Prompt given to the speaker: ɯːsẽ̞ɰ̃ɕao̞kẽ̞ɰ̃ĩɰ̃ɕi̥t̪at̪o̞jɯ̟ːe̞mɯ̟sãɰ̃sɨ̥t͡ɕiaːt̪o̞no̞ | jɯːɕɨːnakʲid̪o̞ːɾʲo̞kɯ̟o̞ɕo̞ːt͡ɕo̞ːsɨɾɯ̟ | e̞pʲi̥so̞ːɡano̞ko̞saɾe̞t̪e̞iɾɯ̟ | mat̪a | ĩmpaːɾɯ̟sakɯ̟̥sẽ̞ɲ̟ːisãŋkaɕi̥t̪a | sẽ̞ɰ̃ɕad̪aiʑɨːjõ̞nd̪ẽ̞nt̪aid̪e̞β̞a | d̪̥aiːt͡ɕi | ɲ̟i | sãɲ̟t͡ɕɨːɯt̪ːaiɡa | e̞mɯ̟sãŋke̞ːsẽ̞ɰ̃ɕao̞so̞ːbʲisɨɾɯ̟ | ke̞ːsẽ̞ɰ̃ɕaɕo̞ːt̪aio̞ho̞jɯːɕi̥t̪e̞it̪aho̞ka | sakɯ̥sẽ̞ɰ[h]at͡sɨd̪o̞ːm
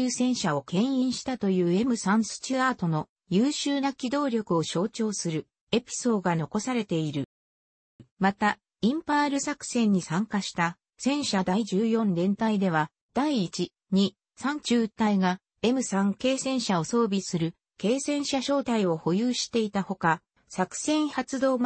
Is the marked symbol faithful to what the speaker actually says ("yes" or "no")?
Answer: yes